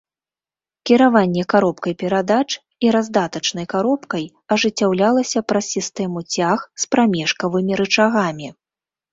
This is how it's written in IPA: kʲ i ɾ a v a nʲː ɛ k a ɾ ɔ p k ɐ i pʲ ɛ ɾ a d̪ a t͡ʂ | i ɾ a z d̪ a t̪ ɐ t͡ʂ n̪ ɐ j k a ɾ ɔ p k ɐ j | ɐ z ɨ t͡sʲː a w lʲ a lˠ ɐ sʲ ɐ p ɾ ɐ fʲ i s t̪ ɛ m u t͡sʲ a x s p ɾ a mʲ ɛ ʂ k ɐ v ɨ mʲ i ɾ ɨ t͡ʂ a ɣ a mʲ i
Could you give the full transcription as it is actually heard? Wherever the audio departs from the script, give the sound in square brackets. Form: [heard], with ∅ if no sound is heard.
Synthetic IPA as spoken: kʲ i ɾ a v a nʲː ɛ k a ɾ ɔ p k ɐ [j] pʲ ɛ ɾ a d̪ a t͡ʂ | i ɾ a z d̪ a t̪ ɐ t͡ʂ n̪ ɐ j k a ɾ ɔ p k ɐ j | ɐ [ʐ] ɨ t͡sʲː a w lʲ a lˠ ɐ sʲ ɐ p ɾ ɐ [sʲ] i s t̪ ɛ m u t͡sʲ a x s p ɾ a mʲ ɛ ʂ k ɐ v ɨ mʲ i ɾ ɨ t͡ʂ a ɣ a mʲ i